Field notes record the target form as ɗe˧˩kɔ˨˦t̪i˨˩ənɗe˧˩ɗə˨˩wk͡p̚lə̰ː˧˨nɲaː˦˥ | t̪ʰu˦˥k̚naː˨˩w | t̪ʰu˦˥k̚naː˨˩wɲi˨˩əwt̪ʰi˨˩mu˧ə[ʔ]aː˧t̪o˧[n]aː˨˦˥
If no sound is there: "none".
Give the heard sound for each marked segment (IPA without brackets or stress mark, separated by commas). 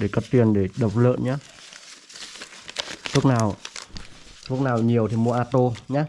ʔ, ɲ